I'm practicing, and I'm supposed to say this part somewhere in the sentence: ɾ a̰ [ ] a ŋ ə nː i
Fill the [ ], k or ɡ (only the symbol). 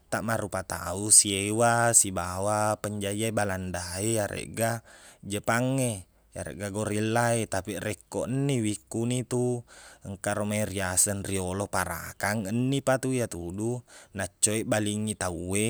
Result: k